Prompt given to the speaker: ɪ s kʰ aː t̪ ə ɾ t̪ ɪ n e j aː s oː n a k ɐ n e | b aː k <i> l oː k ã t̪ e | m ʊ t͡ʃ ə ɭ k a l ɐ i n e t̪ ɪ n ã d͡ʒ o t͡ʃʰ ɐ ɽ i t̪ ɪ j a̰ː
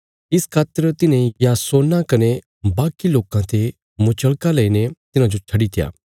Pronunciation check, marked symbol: correct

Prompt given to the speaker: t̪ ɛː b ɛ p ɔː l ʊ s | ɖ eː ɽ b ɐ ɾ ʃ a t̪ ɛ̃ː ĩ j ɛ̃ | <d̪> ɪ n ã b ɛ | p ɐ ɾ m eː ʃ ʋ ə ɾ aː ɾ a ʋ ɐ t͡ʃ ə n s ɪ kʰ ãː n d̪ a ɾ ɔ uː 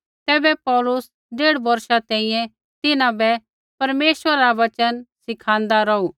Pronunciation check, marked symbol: incorrect: t̪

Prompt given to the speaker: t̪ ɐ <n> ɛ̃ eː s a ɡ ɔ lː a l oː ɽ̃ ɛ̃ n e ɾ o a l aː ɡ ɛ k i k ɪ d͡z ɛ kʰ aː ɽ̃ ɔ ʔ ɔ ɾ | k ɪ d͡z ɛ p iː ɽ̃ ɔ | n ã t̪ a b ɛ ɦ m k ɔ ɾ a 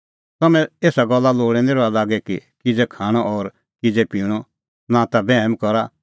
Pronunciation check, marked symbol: incorrect: m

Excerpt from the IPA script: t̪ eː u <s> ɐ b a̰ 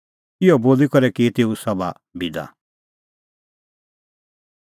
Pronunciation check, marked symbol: correct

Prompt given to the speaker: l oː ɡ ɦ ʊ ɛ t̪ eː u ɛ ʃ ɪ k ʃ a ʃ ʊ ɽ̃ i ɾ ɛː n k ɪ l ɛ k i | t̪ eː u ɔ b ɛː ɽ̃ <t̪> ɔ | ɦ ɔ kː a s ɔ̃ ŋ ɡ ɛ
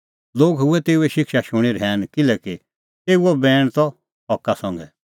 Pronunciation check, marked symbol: correct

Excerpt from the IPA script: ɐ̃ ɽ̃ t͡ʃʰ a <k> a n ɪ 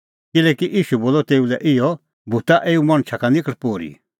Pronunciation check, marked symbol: correct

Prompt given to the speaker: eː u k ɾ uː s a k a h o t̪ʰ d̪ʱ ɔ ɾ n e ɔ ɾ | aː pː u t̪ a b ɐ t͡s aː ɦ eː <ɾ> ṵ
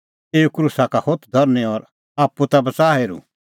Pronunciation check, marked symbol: correct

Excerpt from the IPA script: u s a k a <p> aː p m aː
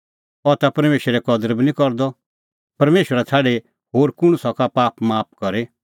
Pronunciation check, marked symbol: correct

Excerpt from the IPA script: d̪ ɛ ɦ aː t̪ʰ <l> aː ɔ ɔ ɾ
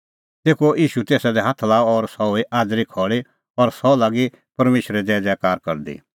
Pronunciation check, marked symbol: correct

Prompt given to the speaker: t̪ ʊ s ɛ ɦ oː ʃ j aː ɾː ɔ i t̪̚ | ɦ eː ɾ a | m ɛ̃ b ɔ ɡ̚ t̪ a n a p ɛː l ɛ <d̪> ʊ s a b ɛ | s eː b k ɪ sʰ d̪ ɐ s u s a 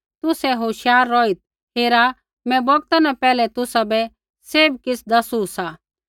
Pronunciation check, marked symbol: incorrect: t̪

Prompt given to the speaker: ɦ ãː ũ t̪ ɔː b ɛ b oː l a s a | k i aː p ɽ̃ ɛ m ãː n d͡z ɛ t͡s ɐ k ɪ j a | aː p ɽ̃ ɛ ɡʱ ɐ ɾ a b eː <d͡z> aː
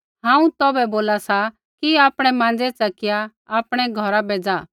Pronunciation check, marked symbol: correct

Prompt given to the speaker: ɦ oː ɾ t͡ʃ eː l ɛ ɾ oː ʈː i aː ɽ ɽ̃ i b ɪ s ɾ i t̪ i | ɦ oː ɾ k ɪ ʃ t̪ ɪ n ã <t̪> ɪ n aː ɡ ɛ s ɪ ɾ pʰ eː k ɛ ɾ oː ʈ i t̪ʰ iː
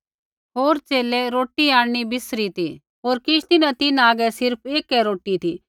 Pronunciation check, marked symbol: correct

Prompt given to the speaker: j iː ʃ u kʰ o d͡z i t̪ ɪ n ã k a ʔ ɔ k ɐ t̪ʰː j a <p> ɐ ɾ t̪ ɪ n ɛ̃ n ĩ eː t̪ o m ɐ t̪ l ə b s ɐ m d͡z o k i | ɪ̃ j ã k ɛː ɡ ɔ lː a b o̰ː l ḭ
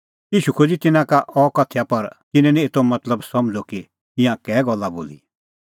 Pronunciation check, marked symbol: correct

